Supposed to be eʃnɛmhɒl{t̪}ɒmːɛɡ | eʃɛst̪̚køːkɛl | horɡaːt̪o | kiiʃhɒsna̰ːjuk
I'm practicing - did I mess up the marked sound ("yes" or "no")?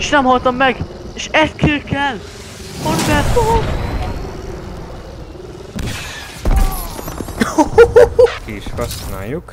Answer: no